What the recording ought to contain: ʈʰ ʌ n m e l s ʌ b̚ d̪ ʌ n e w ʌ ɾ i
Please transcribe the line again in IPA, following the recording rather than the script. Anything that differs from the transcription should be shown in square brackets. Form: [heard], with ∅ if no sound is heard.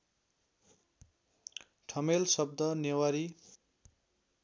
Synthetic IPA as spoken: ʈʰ ʌ [∅] m e l s ʌ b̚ d̪ ʌ n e w [a] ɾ i